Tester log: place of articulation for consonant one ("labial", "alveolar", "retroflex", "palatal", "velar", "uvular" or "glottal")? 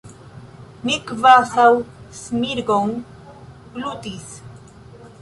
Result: labial